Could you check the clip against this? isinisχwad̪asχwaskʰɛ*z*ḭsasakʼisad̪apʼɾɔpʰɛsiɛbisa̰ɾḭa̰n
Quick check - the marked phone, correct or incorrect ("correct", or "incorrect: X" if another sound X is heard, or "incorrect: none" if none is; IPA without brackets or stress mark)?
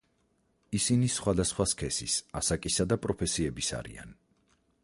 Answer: incorrect: s